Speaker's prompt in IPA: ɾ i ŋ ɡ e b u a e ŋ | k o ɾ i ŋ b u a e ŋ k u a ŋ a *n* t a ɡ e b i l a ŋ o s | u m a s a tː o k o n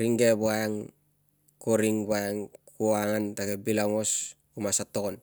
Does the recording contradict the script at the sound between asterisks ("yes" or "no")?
no